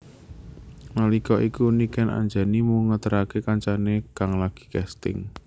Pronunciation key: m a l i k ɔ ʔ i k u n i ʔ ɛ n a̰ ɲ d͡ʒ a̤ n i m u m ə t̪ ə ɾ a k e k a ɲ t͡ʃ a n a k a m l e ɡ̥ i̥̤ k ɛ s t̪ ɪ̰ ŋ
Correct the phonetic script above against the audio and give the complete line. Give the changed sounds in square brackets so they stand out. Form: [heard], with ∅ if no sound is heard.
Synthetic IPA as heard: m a l i k ɔ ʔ i k u n i [k] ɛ n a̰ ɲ d͡ʒ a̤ n i m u [ŋ] ə t̪ ə ɾ a k e k a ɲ t͡ʃ a n [e] k a [ŋ] l [a] ɡ̥ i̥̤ k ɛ s t̪ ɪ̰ ŋ